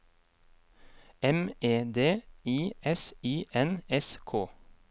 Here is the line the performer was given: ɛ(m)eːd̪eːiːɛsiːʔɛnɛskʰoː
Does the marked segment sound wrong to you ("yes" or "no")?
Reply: no